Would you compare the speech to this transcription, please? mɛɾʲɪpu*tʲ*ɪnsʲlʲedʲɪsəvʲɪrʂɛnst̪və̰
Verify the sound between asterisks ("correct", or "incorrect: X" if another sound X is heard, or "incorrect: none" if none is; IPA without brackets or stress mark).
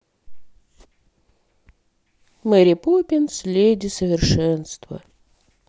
incorrect: pʲ